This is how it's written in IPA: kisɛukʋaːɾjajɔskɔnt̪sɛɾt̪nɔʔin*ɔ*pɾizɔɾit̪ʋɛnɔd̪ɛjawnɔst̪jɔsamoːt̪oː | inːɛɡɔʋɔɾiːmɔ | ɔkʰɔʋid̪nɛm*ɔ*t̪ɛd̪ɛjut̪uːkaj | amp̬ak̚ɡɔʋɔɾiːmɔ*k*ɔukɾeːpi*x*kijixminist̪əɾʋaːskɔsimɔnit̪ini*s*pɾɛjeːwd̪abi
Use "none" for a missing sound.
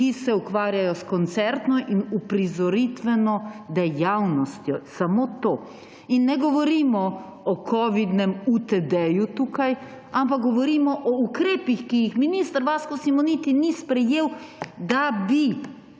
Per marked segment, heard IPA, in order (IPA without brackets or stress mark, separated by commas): u, u, ʔ, x, s